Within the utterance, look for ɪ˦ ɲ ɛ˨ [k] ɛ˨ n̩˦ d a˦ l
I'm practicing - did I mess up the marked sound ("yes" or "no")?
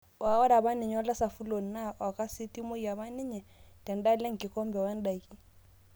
yes